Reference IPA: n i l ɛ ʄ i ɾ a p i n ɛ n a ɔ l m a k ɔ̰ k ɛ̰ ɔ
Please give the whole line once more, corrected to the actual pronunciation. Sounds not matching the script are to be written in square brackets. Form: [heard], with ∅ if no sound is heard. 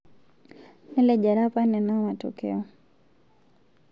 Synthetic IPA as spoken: n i l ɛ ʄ [a] ɾ a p [a] n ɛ n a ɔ [∅] m a [t] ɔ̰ k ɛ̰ ɔ